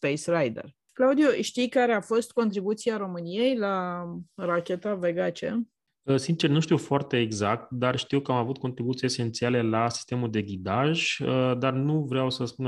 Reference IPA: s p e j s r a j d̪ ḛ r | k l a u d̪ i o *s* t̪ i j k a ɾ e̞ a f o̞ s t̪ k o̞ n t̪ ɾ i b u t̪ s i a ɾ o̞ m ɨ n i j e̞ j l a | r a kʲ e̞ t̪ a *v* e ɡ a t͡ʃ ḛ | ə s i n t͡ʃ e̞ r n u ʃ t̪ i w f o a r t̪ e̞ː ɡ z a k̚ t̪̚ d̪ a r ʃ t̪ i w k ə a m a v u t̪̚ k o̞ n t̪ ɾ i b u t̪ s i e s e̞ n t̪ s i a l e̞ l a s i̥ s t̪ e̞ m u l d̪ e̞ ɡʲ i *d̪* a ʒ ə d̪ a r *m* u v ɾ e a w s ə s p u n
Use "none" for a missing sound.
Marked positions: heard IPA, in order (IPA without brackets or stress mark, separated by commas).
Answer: ʃ, v, d̪, n